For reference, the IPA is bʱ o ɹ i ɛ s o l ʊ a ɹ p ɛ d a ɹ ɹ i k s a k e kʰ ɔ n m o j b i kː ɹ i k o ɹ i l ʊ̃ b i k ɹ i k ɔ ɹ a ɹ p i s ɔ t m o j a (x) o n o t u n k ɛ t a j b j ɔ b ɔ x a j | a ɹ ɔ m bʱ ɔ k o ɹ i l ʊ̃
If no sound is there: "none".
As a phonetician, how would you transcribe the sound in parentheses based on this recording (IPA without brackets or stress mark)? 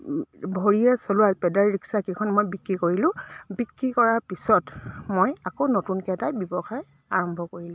k